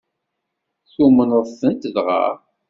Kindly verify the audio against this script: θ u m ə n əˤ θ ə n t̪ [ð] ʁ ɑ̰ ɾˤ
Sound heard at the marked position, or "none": ð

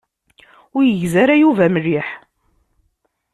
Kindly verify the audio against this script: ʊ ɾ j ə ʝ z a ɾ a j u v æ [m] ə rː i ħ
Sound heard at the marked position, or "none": m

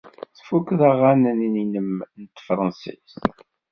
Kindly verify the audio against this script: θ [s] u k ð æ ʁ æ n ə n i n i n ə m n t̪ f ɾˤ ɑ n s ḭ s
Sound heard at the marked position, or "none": f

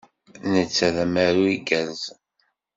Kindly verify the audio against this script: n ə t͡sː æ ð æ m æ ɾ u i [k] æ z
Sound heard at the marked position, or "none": ɡ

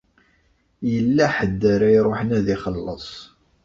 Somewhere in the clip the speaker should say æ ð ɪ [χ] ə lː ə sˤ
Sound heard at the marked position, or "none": χ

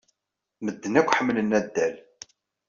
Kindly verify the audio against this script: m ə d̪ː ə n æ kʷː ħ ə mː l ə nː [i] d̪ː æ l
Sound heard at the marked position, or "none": æ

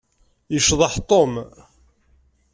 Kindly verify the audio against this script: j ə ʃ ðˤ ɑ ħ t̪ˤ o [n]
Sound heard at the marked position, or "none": m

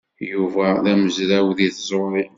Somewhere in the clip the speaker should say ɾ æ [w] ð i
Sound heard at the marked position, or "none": w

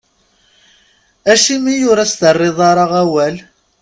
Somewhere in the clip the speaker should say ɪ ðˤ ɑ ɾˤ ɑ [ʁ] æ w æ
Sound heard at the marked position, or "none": ʁ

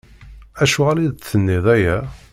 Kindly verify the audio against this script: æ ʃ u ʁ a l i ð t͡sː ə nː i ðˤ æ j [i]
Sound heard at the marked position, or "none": æ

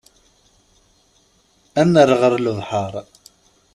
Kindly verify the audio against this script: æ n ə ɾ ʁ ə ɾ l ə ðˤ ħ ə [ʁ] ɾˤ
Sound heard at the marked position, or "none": none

